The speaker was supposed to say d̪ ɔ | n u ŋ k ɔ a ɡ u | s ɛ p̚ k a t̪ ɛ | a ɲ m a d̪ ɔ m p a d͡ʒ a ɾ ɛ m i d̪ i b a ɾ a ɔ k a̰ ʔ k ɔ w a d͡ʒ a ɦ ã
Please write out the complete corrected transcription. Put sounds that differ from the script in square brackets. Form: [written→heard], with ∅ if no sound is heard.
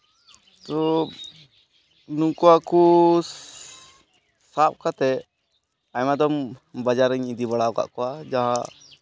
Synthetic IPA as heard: [d̪→t̪] ɔ | n u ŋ k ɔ a [ɡ→k] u | s [ɛ→a] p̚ k a t̪ ɛ | a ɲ m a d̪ ɔ m [p→b] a d͡ʒ a ɾ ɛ [m→ɲ] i d̪ i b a [ɾ→ɽ] a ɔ k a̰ ʔ k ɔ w a d͡ʒ a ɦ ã